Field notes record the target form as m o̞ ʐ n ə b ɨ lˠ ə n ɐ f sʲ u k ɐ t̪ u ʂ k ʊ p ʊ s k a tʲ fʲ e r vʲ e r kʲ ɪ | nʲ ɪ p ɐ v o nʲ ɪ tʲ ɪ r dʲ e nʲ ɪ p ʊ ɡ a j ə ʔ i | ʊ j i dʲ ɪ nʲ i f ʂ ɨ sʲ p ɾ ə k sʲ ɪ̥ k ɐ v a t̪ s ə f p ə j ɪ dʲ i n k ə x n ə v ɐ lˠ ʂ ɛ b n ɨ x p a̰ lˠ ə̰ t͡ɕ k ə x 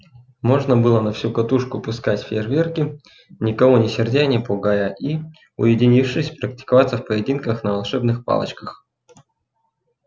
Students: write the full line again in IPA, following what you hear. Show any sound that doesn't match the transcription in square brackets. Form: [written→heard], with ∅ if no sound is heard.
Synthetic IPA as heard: m o̞ ʐ n ə b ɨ lˠ ə n ɐ f sʲ u k ɐ t̪ u ʂ k ʊ p ʊ s k a tʲ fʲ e r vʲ e r kʲ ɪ | nʲ ɪ [p→k] ɐ v o nʲ ɪ [tʲ→sʲ] ɪ r dʲ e nʲ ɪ p ʊ ɡ a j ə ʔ i | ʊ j [i→ɪ] dʲ ɪ nʲ i f ʂ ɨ sʲ p ɾ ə k [sʲ→tʲ] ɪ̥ k ɐ v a t̪ s ə f p ə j ɪ dʲ i n k ə x n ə v ɐ lˠ ʂ ɛ b n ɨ x p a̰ lˠ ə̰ t͡ɕ k ə x